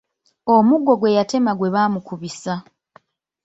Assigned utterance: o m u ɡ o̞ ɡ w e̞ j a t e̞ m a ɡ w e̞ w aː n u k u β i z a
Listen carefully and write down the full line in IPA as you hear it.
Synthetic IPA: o m u ɡ o̞ ɡ w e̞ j a t e̞ m a ɡ w e̞ β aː m u k u β i s a